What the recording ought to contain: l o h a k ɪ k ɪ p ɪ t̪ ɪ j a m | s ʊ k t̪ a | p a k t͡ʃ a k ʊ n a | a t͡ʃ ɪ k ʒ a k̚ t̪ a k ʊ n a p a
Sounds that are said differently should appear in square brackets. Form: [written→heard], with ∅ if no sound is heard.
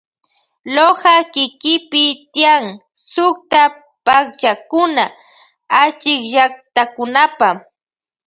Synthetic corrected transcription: l o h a k ɪ k ɪ p ɪ t̪ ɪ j a [m→ŋ] | s ʊ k t̪ a | p a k t͡ʃ a k ʊ n a | a t͡ʃ ɪ k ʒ a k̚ t̪ a k ʊ n a p a

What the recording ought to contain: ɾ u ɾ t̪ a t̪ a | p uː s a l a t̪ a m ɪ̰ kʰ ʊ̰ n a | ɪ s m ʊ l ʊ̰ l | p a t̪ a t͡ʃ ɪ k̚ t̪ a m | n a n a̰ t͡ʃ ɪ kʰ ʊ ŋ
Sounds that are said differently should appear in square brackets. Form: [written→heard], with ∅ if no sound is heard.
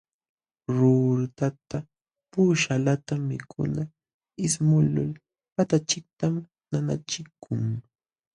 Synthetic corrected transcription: ɾ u ɾ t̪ a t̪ a | p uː [s→ʃ] a l a t̪ a m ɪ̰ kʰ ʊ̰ n a | ɪ s m ʊ l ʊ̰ l | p a t̪ a t͡ʃ ɪ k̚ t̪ a m | n a n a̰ t͡ʃ ɪ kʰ ʊ ŋ

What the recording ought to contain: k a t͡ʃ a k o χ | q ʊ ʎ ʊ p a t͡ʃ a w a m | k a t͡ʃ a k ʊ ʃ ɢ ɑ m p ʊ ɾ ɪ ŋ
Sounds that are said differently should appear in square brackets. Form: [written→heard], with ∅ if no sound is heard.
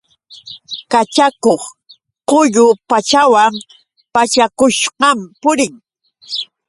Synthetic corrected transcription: k a t͡ʃ a k o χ | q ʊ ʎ ʊ p a t͡ʃ a w a m | [k→p] a t͡ʃ a k ʊ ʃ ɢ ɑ m p ʊ ɾ ɪ ŋ

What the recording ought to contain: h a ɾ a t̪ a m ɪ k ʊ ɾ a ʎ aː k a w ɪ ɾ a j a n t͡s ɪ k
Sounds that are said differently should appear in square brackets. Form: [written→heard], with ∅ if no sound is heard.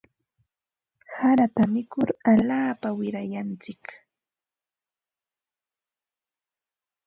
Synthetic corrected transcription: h a ɾ a t̪ a m ɪ k ʊ ɾ a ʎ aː [k→p] a w ɪ ɾ a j a n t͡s ɪ k

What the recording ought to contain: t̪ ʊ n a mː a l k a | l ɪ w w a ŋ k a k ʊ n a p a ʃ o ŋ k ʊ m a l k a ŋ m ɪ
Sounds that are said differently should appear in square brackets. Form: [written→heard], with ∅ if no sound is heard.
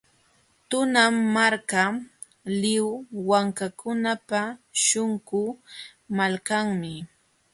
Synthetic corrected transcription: t̪ ʊ n a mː a [l→ɾ] k a | l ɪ w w a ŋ k a k ʊ n a p a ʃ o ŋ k ʊ m a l k a ŋ m ɪ

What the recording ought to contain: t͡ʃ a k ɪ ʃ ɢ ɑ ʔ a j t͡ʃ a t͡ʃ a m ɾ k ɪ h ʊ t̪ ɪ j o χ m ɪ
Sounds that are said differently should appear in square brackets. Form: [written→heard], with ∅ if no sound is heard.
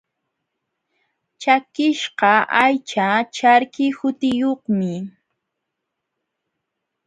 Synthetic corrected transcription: t͡ʃ a k ɪ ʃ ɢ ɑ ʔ a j t͡ʃ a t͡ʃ a [m→∅] ɾ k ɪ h ʊ t̪ ɪ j o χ m ɪ

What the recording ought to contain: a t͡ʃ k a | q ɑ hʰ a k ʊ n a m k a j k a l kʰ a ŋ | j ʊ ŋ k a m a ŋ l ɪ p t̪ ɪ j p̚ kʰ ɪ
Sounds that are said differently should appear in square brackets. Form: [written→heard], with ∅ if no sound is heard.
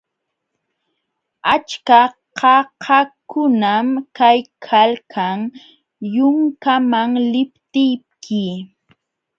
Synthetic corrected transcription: a t͡ʃ k a | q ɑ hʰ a k ʊ n a m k a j [k→kʰ] a l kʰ a ŋ | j ʊ ŋ k a m a ŋ l ɪ p t̪ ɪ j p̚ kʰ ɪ

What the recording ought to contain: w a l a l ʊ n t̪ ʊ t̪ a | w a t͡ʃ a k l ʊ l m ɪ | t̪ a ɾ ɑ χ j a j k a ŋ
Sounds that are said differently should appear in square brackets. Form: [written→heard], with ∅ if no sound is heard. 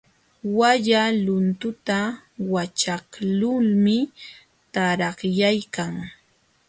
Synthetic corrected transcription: w a [l→ʎ] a l ʊ n t̪ ʊ t̪ a | w a t͡ʃ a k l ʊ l m ɪ | t̪ a ɾ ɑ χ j a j k a ŋ

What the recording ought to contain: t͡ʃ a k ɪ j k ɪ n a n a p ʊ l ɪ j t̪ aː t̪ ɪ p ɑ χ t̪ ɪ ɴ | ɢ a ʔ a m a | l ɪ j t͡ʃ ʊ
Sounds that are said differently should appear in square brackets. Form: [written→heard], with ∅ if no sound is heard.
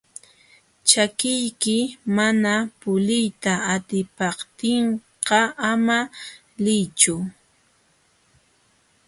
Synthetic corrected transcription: t͡ʃ a k ɪ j k ɪ [n→m] a n a p ʊ l ɪ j t̪ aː t̪ ɪ p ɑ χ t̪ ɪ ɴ | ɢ [a→ɑ] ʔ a m a | l ɪ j t͡ʃ ʊ

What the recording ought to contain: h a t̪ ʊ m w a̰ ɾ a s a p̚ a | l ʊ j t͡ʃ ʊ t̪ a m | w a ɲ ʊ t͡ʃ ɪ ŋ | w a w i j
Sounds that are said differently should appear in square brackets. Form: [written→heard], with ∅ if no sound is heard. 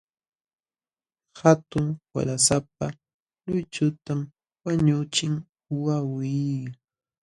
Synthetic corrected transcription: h a t̪ ʊ [m→ŋ] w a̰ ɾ a s a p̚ a | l ʊ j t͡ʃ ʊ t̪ a m | w a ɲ ʊ t͡ʃ ɪ ŋ | w a w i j

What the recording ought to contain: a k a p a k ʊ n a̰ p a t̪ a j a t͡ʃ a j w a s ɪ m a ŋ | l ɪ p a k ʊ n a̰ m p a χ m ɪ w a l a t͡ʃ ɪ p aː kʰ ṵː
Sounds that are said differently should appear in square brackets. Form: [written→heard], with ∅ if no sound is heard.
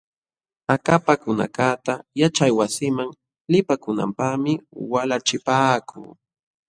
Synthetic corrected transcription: a k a p a k ʊ n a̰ [p→k] a t̪ a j a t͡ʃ a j w a s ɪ m a ŋ | l ɪ p a k ʊ n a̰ m p a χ m ɪ w a l a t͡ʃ ɪ p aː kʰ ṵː

